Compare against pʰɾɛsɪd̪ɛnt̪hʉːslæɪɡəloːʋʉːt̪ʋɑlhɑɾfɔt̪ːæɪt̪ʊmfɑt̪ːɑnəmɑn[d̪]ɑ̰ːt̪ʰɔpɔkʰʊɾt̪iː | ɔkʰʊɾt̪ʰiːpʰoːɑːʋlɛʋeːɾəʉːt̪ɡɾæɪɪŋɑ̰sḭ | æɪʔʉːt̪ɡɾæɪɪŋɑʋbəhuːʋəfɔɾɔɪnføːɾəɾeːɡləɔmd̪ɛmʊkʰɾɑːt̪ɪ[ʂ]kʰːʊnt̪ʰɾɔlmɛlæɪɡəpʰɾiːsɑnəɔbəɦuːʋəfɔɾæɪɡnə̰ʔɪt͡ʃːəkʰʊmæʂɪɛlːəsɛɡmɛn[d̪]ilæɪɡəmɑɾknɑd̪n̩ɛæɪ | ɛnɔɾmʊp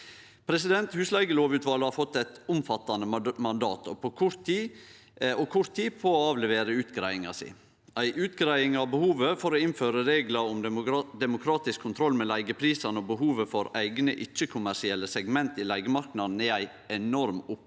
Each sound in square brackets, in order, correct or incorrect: correct, incorrect: s, incorrect: t̪

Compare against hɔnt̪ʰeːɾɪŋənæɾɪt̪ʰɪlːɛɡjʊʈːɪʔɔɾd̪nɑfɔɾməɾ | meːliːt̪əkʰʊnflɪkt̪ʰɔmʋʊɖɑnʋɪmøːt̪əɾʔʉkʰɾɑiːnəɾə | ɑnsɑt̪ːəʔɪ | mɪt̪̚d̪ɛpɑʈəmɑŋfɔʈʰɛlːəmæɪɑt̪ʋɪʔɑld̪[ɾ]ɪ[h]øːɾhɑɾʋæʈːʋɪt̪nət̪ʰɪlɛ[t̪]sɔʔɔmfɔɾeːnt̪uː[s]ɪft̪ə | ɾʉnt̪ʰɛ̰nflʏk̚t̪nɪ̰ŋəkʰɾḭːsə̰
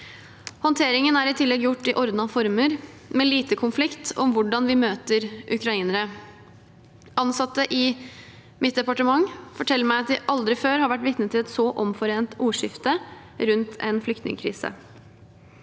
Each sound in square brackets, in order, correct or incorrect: correct, incorrect: f, correct, incorrect: ʂ

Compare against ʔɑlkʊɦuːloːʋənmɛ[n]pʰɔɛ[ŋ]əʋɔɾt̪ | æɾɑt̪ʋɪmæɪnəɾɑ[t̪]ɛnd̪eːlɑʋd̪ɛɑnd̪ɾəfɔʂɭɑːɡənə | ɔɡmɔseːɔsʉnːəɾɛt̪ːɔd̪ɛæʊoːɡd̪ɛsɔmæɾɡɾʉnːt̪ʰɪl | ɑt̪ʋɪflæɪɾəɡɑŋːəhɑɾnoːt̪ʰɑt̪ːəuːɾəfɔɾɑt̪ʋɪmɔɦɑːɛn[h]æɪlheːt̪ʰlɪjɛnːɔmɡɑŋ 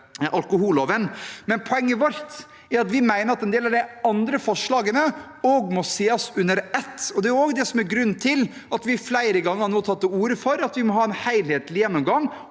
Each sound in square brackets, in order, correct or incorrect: correct, incorrect: ŋː, correct, correct

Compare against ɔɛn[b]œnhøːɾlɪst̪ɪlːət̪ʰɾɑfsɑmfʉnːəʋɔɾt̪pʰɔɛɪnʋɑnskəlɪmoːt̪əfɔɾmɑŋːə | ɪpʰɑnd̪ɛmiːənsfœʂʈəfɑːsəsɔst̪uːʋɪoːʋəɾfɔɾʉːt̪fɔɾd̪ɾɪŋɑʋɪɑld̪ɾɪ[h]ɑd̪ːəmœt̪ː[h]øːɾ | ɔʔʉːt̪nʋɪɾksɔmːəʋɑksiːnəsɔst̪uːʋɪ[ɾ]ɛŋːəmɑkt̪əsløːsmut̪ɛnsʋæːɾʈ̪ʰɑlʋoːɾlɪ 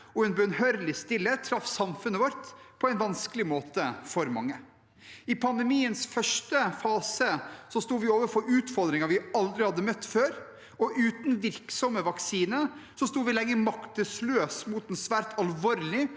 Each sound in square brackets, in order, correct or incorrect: correct, correct, incorrect: f, incorrect: l

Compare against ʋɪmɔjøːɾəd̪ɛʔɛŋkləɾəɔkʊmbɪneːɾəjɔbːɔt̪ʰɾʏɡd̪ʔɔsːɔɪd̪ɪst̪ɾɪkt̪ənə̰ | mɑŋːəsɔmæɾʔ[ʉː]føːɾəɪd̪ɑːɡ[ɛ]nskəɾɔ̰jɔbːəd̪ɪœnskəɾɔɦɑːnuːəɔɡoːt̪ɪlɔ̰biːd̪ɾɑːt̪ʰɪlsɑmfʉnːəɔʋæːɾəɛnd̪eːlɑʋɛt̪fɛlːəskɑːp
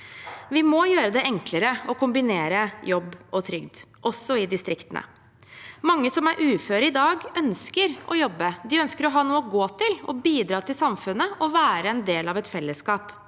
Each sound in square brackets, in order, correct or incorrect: correct, incorrect: œ

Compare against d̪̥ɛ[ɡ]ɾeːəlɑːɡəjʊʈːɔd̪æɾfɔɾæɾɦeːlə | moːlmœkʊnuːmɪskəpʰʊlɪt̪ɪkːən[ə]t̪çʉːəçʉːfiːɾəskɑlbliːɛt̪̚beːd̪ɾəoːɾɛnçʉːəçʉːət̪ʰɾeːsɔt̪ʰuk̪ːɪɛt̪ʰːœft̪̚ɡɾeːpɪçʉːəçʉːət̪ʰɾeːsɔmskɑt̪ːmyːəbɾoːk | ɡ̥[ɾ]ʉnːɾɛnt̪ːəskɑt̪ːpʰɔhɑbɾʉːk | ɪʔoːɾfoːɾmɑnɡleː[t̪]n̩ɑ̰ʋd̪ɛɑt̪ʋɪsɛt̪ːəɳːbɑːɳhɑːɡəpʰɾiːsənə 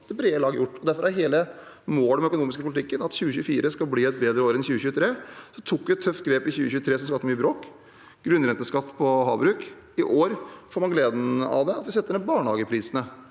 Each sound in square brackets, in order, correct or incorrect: incorrect: b, incorrect: ɑ, correct, incorrect: d̪

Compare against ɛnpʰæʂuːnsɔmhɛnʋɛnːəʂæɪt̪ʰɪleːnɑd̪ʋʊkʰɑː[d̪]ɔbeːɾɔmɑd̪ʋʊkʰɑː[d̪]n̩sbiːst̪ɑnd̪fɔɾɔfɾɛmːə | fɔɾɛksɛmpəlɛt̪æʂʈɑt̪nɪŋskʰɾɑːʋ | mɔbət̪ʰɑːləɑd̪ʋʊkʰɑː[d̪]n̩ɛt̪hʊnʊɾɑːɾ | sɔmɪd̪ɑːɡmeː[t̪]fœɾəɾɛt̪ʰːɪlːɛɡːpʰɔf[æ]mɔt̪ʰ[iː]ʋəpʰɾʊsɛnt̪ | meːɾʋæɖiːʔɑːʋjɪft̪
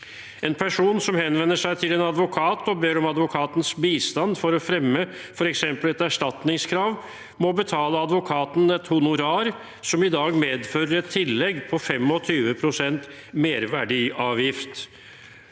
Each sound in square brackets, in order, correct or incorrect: incorrect: t̪, incorrect: t̪, incorrect: t̪, incorrect: d̪, incorrect: ɛ, incorrect: yː

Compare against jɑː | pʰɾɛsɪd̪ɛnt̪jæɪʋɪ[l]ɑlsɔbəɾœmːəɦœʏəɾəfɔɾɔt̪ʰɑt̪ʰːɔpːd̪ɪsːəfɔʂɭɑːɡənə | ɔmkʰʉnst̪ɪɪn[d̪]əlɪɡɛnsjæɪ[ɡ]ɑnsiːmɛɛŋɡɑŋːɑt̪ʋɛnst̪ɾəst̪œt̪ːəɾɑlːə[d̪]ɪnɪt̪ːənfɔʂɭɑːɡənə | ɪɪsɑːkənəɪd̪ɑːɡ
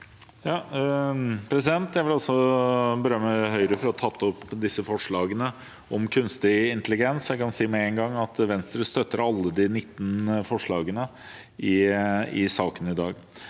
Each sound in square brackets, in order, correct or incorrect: correct, incorrect: t̪, incorrect: k, correct

